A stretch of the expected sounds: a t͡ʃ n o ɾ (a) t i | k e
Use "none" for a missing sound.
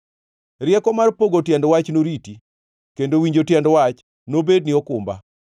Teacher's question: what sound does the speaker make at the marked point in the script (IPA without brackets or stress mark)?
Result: i